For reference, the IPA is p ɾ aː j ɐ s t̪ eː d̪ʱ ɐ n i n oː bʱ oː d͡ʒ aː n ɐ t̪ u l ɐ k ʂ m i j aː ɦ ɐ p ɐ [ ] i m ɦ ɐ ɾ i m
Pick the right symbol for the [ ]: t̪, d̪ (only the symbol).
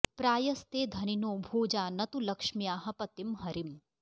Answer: t̪